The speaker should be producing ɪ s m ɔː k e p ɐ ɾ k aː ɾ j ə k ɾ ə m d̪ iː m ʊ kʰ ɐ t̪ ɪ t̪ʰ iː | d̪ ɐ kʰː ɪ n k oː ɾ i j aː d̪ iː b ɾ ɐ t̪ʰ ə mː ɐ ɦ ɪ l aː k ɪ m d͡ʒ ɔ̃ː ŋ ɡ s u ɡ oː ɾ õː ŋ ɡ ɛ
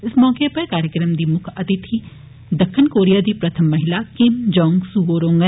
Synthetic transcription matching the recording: ɪ s m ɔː k e p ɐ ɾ k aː ɾ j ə k ɾ ə m d̪ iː m ʊ kʰ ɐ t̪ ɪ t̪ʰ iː | d̪ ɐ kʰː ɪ n k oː ɾ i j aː d̪ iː p ɾ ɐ t̪ʰ ə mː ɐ ɦ ɪ l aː k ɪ m d͡ʒ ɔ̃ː ŋ ɡ s u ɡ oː ɾ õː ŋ ɡ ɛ